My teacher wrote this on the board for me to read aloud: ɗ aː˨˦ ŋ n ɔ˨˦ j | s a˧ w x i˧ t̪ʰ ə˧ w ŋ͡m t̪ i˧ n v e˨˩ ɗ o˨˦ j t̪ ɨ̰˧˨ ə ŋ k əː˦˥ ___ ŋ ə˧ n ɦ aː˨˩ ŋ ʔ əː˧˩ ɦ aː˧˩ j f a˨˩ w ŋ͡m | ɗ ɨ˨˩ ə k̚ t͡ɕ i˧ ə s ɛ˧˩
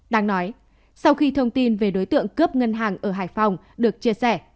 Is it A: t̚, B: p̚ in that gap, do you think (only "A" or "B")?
B